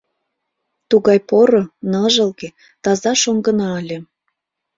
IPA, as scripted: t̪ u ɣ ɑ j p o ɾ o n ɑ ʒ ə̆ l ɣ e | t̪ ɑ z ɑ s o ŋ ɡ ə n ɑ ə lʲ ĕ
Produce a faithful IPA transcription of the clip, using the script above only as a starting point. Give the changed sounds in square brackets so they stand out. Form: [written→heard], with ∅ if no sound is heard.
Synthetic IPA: t̪ u ɣ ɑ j p o ɾ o n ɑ ʒ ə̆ l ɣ e | t̪ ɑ z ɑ [s→ʃ] o ŋ ɡ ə n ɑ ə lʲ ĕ